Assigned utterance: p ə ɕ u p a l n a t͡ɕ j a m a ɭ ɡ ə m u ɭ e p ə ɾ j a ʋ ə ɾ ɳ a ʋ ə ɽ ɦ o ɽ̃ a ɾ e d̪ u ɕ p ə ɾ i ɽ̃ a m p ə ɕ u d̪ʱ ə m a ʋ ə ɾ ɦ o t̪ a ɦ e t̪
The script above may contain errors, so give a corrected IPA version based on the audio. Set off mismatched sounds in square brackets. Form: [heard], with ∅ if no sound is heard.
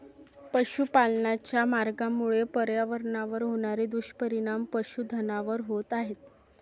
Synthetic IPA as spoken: p ə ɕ u p a l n a t͡ɕ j a m a [ɾ] ɡ [a] m u ɭ e p ə ɾ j a ʋ ə ɾ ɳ a ʋ ə [ɾ] ɦ o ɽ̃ a ɾ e d̪ u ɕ p ə ɾ i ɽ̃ a m p ə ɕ u d̪ʱ ə [n] a ʋ ə ɾ ɦ o t̪ a ɦ e t̪